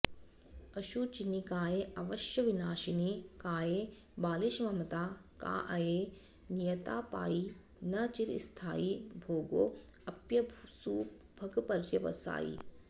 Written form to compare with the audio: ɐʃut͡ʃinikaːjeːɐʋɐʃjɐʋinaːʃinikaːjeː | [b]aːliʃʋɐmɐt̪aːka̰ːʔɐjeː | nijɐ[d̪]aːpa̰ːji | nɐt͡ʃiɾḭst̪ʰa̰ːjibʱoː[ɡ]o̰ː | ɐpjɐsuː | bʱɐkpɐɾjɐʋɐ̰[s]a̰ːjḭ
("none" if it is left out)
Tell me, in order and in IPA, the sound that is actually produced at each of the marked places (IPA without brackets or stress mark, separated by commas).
b, t̪, ɡ, s